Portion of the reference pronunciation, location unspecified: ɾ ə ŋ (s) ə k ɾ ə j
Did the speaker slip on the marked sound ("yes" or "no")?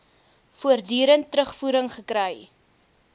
yes